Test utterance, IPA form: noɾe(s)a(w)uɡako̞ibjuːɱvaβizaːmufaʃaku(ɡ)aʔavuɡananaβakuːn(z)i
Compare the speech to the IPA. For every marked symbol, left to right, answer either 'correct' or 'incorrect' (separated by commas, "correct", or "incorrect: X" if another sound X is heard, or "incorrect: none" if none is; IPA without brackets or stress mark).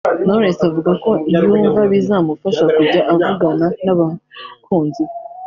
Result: correct, incorrect: v, incorrect: ɟ, correct